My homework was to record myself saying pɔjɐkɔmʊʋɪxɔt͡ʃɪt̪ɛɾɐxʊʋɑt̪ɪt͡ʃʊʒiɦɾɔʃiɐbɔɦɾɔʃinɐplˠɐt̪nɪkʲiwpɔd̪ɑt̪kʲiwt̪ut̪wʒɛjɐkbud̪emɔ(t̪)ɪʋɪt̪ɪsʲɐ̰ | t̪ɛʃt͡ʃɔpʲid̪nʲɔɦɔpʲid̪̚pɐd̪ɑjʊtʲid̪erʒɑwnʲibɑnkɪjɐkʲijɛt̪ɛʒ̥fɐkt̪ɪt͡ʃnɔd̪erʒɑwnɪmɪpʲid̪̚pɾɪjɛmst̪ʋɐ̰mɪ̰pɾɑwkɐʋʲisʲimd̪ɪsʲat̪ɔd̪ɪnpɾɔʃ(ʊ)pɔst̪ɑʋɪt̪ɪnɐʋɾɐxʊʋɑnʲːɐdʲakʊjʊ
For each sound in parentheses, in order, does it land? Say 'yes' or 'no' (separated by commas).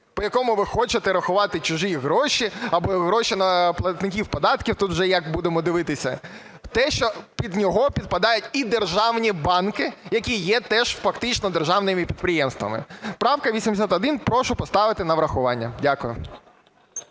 no, yes